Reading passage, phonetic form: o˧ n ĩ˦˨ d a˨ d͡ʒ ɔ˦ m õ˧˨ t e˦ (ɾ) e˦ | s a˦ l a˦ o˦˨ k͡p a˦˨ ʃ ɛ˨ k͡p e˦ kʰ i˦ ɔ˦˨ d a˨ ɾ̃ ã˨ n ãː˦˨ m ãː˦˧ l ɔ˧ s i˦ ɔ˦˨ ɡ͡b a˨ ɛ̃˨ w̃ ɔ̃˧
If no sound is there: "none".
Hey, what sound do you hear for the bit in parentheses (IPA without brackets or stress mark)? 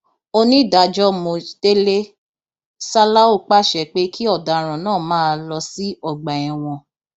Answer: l